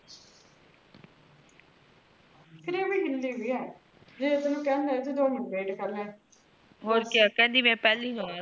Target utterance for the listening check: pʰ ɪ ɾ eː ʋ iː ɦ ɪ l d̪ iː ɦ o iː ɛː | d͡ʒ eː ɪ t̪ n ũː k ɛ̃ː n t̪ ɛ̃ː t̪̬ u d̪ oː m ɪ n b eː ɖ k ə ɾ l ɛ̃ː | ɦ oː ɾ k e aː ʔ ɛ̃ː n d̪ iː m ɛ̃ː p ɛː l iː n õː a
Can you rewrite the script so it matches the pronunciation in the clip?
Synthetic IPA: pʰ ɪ ɾ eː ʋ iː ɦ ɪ l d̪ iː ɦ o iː ɛː | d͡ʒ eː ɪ t̪ n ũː k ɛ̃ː n d̪ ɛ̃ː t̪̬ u d̪ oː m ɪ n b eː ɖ k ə ɾ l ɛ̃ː | ɦ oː ɾ k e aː k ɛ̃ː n d̪ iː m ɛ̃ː p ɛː l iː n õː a